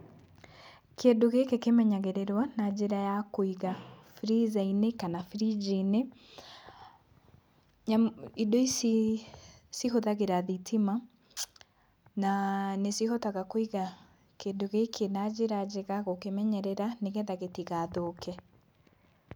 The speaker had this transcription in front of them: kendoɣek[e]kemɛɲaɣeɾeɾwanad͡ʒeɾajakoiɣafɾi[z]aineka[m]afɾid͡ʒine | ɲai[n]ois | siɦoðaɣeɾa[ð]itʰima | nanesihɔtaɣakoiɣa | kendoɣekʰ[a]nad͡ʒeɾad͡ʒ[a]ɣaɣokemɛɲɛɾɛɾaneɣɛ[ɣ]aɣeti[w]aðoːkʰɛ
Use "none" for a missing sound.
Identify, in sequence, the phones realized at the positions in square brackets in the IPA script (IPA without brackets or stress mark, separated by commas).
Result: e, z, n, d, ð, e, e, ð, ɣ